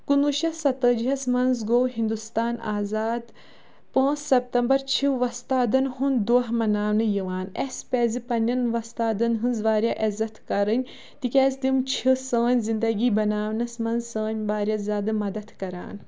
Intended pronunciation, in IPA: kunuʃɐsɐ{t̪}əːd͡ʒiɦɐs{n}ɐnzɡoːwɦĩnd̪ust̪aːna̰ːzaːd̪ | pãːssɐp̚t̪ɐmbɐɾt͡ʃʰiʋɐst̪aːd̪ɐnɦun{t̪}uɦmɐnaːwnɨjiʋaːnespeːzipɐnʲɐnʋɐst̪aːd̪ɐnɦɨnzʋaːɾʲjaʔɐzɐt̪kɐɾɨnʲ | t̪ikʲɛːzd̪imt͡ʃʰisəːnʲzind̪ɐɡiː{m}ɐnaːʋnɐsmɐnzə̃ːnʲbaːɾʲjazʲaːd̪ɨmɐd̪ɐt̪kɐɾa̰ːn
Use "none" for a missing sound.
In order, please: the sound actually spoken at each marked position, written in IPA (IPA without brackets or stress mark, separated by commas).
t̪, m, d̪, b